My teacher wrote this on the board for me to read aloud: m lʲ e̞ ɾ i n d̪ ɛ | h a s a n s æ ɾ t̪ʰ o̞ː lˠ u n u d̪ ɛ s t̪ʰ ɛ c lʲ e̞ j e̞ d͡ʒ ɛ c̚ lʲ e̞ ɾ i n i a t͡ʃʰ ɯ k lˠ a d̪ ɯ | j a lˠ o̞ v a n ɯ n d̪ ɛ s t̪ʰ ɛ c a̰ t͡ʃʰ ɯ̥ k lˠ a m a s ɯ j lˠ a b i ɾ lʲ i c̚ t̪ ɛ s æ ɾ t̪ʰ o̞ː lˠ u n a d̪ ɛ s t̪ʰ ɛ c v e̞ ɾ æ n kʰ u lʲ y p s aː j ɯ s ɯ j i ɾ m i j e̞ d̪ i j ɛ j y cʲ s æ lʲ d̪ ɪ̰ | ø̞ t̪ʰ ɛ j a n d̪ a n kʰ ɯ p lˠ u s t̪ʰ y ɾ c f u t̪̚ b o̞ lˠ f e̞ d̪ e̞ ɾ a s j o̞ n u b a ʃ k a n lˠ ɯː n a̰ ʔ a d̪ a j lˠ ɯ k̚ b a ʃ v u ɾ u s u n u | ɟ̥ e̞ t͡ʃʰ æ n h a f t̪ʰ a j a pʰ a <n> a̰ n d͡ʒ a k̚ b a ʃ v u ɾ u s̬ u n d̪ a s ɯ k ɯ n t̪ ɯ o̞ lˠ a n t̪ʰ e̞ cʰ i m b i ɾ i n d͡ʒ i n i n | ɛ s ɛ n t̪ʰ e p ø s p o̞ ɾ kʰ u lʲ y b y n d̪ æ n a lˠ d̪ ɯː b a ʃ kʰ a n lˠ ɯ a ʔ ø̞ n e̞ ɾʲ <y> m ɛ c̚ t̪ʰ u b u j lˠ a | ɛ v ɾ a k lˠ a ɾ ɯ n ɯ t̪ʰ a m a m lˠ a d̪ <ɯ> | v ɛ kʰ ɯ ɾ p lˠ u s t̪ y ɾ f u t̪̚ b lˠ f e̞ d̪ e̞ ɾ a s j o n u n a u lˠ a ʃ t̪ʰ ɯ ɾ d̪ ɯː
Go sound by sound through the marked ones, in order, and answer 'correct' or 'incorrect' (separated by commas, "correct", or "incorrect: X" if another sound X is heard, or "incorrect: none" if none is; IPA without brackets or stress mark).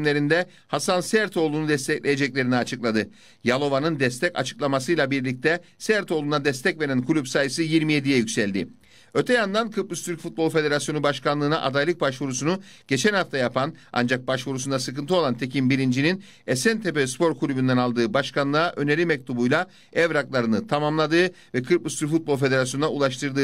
correct, incorrect: i, incorrect: ɯː